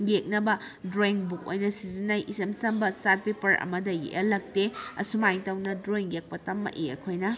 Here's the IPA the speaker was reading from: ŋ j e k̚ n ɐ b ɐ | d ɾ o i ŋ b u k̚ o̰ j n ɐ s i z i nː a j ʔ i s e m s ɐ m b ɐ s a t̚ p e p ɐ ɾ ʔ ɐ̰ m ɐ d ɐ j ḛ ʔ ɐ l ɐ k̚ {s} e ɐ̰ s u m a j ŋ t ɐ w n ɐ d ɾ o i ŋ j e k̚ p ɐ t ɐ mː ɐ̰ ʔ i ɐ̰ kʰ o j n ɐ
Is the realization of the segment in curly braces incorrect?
yes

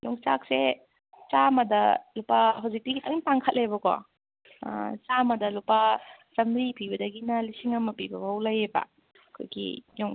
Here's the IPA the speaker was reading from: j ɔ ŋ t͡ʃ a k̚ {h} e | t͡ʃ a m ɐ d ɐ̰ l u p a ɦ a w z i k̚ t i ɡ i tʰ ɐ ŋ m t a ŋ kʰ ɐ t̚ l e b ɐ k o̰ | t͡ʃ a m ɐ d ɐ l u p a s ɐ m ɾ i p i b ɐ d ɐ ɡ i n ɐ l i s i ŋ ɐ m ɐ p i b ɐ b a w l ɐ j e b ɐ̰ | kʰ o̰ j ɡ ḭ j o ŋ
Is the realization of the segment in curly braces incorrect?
yes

